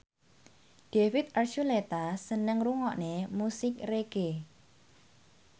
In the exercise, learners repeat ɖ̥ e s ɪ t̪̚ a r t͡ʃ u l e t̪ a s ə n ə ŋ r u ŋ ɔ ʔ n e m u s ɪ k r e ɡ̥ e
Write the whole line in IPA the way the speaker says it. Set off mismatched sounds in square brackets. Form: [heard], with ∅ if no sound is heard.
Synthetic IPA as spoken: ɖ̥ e [f] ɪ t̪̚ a r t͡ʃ u l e t̪ a s ə n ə ŋ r u ŋ ɔ ʔ n e m u s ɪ k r e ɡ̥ e